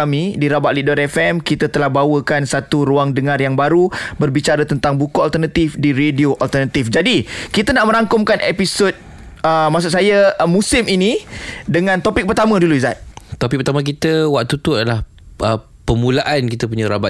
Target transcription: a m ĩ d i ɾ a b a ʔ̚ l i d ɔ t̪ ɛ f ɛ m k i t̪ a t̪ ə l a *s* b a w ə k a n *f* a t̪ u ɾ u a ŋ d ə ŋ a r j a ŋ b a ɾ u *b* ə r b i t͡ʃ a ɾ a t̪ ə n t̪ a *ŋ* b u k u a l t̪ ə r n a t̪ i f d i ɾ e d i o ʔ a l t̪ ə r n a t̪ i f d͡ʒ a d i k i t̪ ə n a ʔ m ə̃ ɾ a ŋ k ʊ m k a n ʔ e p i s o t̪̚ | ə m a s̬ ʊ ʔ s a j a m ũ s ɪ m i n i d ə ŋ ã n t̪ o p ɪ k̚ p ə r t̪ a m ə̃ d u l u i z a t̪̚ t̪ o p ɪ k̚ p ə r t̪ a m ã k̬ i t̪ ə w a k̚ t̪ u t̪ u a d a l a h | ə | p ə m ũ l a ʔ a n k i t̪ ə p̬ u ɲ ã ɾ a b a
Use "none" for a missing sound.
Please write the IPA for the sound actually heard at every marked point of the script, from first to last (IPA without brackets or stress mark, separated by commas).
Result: h, s, b, ŋ